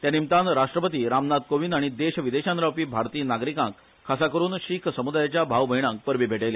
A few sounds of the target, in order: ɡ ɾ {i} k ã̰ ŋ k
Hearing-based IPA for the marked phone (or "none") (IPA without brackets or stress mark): i